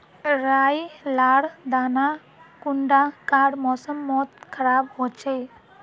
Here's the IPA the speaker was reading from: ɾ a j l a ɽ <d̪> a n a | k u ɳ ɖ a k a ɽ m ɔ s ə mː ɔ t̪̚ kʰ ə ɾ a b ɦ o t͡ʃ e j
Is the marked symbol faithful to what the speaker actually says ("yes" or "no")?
yes